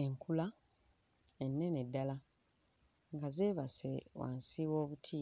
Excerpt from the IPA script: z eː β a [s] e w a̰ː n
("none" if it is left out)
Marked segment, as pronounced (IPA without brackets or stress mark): s